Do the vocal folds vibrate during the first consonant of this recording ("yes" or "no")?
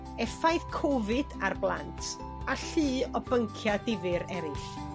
no